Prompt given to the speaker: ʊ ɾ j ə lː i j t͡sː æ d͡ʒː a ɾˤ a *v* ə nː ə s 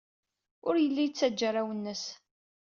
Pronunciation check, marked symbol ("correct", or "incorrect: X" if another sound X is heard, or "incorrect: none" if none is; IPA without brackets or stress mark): incorrect: w